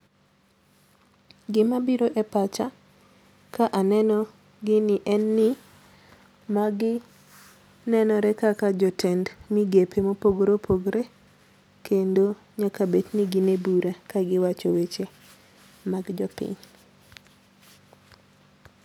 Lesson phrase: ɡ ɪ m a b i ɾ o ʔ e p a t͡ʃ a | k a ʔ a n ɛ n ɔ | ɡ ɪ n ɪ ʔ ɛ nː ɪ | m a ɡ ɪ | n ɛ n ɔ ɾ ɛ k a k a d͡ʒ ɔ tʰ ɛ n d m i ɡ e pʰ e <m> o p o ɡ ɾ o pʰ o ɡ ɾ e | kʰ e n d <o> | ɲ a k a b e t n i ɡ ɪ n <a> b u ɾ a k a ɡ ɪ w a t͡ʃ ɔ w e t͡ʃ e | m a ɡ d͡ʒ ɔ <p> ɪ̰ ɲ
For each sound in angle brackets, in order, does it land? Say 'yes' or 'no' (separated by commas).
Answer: yes, yes, no, yes